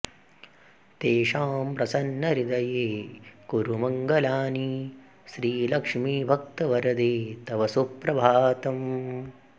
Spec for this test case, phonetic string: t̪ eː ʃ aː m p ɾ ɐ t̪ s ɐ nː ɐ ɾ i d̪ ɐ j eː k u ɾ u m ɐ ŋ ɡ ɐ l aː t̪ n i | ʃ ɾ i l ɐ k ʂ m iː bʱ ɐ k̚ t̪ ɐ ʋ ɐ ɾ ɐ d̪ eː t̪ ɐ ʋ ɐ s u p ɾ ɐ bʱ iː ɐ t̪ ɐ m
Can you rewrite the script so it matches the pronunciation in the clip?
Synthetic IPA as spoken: t̪ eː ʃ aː m p ɾ ɐ s ɐ nː ɐ ɾ i d̪ ɐ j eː k u ɾ u m ɐ ŋ ɡ ɐ l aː n i | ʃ ɾ iː l ɐ k ʂ m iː bʱ ɐ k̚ t̪ ɐ ʋ ɐ ɾ ɐ d̪ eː t̪ ɐ ʋ ɐ s u p ɾ ɐ bʱ aː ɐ t̪ ɐ m